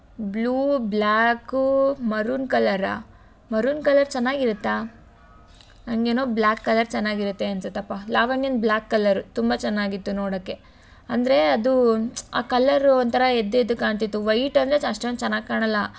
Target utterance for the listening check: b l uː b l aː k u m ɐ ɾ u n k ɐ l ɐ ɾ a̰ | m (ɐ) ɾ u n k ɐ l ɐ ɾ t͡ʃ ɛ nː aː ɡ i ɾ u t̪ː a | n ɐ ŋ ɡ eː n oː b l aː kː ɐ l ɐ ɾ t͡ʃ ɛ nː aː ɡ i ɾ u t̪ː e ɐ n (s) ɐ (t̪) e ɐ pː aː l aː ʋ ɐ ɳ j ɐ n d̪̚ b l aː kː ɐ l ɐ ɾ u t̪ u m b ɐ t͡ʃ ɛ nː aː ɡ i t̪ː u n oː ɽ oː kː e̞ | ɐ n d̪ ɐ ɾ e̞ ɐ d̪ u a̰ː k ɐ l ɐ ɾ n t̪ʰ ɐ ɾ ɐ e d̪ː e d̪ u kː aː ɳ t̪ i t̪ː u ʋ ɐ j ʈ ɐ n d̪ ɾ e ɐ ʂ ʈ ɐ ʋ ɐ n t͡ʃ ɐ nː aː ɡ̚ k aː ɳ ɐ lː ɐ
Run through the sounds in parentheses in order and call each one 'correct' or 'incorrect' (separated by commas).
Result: correct, correct, correct